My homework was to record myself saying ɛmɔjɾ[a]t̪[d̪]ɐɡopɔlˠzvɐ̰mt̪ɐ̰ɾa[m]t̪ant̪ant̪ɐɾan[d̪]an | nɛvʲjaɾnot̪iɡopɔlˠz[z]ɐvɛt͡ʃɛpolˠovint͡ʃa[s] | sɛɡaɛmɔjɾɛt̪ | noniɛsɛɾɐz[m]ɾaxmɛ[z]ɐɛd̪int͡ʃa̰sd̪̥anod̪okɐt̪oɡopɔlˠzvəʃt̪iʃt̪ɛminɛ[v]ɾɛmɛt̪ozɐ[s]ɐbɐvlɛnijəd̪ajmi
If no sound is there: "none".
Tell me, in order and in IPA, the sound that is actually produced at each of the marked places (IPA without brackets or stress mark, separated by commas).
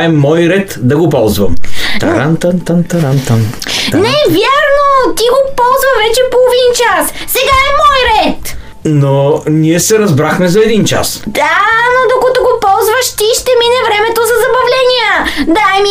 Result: ɛ, d̪, n, t̪, v, s, b, z, v, z